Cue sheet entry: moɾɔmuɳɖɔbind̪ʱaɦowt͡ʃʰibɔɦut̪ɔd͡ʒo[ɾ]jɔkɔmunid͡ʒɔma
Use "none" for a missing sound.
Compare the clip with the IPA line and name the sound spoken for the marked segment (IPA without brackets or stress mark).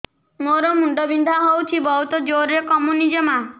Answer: ɾ